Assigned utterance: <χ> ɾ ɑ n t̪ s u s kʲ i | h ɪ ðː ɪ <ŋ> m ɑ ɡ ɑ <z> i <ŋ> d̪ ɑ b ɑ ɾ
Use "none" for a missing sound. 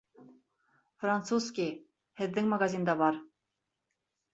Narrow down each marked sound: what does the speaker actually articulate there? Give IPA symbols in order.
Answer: f, ŋ, z, n

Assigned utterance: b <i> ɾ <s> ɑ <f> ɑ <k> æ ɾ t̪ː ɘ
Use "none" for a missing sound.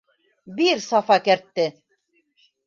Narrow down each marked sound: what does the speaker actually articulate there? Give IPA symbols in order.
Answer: i, s, f, k

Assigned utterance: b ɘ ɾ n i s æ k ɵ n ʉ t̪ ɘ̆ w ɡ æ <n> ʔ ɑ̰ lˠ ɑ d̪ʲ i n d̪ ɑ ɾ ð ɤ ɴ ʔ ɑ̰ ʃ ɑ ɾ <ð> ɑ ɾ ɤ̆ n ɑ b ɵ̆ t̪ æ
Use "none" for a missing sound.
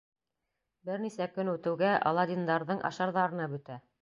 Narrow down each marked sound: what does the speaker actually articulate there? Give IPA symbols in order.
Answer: none, ð

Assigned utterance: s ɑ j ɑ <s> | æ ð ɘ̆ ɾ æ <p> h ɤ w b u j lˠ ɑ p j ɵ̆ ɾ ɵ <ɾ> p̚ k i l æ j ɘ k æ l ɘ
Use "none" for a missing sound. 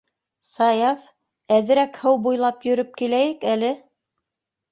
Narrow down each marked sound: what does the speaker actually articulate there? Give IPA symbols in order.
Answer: f, k, none

